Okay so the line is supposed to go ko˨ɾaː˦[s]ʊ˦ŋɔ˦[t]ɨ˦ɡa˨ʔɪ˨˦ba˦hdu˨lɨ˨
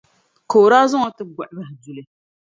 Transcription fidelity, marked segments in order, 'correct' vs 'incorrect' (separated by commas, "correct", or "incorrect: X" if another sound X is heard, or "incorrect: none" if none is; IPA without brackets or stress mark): incorrect: z, correct